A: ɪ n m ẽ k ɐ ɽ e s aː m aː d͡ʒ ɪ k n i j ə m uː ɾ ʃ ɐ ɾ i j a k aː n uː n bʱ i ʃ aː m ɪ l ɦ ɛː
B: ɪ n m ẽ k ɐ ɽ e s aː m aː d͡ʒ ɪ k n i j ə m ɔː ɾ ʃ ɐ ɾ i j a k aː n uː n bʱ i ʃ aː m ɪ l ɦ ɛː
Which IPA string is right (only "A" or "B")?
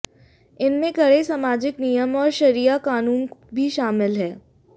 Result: B